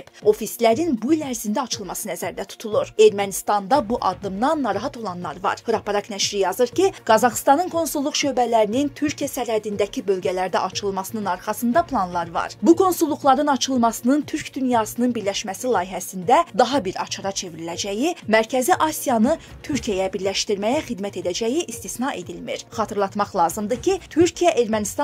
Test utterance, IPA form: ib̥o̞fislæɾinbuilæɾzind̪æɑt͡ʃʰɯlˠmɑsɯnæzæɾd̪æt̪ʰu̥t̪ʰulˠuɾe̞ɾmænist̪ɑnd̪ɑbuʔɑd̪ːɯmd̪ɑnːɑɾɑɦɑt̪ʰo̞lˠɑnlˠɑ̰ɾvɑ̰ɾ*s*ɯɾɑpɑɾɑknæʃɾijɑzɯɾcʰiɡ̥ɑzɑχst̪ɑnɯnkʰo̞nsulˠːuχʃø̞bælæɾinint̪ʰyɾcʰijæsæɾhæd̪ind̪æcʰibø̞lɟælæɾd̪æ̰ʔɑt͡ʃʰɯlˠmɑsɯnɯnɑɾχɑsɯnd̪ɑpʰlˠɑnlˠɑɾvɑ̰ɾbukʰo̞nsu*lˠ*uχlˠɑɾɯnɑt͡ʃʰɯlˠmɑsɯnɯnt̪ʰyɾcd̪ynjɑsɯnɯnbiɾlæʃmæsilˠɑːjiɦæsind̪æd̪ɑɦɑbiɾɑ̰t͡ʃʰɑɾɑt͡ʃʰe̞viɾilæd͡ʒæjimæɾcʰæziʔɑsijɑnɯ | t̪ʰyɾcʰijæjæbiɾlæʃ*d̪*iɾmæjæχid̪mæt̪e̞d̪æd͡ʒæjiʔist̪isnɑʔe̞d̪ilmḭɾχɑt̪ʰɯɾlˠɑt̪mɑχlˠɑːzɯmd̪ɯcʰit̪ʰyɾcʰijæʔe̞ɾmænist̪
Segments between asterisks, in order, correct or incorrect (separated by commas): incorrect, incorrect, incorrect